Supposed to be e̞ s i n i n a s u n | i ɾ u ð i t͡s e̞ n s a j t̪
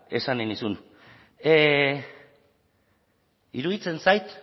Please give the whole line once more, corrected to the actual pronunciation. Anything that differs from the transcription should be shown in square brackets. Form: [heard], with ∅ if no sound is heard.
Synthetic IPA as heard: e̞ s [a] n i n [i] s u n | i ɾ u ð i t͡s e̞ n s a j t̪